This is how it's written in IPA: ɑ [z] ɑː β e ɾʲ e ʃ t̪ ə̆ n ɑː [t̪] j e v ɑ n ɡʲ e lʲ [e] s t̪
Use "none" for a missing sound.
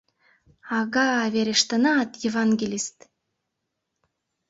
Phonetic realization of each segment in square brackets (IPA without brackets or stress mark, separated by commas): ɣ, t̪, i